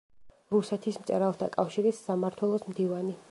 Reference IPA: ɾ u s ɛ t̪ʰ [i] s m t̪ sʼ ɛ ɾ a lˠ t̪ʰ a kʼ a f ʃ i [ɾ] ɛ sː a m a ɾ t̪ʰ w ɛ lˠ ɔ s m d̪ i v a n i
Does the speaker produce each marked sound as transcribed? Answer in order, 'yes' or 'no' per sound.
yes, yes

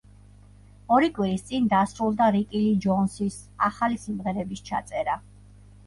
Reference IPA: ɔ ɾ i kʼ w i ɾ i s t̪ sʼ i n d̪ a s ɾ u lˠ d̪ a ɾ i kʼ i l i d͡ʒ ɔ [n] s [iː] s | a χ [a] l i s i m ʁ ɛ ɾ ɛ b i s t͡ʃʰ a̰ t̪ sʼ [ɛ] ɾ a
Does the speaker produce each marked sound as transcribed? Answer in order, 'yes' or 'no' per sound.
yes, no, yes, yes

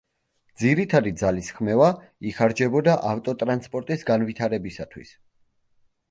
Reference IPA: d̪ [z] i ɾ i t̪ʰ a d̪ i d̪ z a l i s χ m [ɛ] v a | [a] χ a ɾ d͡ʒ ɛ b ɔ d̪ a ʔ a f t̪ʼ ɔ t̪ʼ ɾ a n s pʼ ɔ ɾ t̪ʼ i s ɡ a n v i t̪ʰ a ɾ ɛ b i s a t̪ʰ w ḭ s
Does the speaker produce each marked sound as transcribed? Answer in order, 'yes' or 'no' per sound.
yes, yes, no

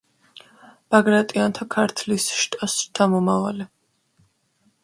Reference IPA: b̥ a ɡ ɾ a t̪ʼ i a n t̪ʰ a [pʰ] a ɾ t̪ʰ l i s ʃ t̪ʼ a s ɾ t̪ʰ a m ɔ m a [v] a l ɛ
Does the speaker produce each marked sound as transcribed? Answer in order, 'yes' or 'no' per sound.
no, yes

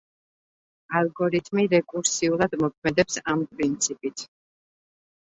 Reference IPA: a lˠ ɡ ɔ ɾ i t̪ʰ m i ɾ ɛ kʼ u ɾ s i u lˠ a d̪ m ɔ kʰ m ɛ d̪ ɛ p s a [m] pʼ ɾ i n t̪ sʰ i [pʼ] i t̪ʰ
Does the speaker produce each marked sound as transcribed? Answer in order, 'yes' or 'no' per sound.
yes, yes

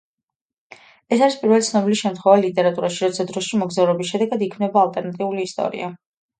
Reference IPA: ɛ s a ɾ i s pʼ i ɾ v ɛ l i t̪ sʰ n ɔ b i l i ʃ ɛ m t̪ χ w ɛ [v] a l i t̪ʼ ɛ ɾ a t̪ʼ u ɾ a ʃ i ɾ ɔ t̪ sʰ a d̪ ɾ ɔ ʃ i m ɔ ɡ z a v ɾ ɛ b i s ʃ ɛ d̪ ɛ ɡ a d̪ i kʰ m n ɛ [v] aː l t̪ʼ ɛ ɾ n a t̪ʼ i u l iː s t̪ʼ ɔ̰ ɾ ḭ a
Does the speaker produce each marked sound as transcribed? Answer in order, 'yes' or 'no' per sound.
yes, no

